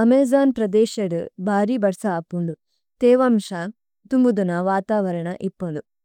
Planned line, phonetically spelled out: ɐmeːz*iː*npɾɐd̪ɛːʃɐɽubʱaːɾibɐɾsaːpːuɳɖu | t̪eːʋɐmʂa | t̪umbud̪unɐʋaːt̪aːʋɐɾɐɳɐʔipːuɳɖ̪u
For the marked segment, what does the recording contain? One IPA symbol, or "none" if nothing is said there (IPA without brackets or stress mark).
aː